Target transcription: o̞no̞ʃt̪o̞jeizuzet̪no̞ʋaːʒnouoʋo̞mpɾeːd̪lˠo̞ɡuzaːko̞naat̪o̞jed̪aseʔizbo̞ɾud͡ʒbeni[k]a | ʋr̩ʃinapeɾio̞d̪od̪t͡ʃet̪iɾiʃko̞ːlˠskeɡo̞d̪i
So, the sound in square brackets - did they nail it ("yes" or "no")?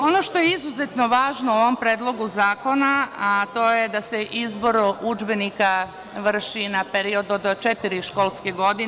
yes